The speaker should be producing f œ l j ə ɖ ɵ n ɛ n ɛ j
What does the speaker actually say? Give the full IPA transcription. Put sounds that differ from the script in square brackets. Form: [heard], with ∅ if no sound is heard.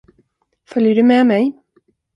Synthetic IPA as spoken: f œ l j ə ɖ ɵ [m] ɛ [m] ɛ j